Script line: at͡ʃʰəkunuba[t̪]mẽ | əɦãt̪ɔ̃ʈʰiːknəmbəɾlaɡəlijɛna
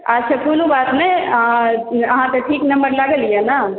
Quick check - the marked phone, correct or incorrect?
correct